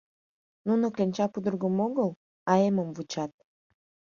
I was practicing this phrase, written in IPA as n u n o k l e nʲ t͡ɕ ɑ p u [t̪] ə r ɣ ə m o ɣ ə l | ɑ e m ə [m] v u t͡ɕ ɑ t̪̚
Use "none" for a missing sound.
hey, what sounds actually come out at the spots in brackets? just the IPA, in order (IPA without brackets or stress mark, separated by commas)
d̪, m